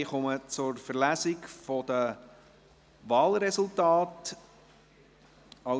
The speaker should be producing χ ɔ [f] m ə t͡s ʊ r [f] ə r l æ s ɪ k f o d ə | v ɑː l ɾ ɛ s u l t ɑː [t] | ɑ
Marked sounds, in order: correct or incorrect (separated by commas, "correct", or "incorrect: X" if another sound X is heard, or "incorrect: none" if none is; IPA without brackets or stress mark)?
incorrect: none, correct, correct